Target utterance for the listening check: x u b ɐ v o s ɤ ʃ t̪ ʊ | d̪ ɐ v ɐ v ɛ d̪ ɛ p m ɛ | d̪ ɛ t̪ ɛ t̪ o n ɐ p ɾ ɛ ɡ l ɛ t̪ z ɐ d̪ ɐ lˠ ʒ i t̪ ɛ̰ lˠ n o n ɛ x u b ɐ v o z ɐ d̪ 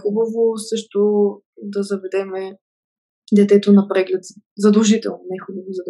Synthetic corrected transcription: x u b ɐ v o s ɤ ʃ t̪ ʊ | d̪ ɐ z ɐ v ɛ d̪ ɛ m ɛ | d̪ ɛ t̪ ɛ t̪ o n ɐ p ɾ ɛ ɡ l ɛ t̪ z ɐ d̪ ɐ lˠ ʒ i t̪ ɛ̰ lˠ n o n ɛ x u b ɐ v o z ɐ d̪